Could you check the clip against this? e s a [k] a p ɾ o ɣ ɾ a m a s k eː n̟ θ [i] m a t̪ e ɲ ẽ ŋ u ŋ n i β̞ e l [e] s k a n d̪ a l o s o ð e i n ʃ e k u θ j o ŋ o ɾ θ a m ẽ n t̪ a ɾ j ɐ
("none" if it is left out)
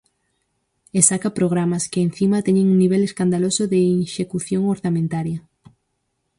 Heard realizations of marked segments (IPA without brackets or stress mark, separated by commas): k, i, e